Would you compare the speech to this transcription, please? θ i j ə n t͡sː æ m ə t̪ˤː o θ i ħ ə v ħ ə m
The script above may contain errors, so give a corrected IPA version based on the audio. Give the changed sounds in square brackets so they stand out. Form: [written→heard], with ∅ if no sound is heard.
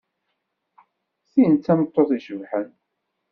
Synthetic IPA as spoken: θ i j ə n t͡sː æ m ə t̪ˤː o θ i [ħ→ʃ] ə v ħ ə [m→n]